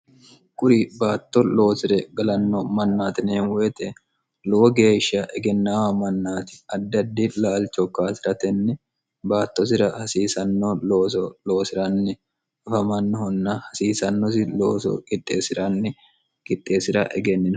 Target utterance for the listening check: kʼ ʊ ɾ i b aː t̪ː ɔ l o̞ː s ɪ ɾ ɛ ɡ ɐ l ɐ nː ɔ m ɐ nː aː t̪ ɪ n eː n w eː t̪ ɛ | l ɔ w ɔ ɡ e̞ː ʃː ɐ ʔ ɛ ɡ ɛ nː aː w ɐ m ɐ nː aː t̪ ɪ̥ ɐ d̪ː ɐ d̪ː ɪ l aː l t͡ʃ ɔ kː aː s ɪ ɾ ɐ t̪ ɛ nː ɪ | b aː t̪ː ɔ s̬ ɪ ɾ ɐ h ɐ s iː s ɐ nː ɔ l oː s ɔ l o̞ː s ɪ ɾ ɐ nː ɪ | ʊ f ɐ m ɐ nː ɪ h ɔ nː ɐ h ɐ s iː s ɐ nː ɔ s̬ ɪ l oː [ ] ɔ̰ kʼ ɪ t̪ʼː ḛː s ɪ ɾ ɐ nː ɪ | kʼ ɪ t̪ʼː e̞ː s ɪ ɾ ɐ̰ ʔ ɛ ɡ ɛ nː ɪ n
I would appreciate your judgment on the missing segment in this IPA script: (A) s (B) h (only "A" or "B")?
A